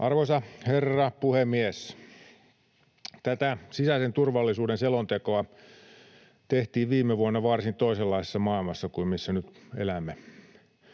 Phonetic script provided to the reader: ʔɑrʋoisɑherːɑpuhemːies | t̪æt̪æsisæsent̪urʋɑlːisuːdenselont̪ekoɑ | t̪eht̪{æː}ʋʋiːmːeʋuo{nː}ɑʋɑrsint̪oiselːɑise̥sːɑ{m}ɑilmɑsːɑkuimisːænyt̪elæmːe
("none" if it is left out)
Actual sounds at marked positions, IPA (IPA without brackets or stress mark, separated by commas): iː, nː, m